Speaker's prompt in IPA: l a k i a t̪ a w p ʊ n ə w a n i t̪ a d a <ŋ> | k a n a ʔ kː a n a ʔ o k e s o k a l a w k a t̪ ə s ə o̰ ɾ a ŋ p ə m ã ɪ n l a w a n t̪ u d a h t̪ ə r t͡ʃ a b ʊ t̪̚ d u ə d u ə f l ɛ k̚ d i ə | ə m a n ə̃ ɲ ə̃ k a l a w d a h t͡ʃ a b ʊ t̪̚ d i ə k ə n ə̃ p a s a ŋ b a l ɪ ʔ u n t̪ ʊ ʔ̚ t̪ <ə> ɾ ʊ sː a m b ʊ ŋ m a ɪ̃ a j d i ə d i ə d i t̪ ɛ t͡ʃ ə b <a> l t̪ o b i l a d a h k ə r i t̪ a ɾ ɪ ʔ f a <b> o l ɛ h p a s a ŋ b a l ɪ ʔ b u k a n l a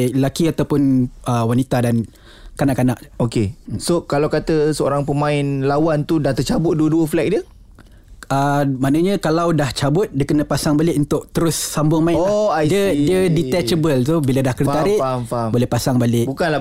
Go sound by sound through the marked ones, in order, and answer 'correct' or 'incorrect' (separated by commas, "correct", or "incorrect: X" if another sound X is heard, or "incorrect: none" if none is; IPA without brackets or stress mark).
incorrect: n, correct, incorrect: ə, correct